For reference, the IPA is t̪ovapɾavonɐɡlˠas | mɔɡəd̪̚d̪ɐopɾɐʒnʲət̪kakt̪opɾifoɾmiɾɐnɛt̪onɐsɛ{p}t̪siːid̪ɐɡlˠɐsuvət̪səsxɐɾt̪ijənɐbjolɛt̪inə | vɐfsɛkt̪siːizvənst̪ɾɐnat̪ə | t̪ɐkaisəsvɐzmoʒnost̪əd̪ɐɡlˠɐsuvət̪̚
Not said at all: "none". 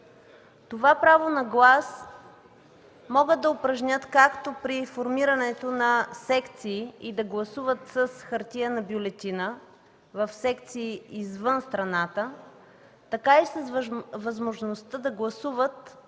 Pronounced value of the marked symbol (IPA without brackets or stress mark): k